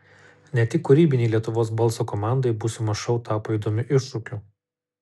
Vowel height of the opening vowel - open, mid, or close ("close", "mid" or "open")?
mid